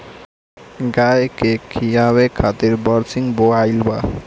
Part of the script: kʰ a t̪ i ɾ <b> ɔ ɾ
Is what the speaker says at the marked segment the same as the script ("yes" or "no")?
yes